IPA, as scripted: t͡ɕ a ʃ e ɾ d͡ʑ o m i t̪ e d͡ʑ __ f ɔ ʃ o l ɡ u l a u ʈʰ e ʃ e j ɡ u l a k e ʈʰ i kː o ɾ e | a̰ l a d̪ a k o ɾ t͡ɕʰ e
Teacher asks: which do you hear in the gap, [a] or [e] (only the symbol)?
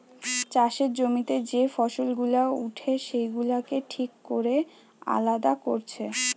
e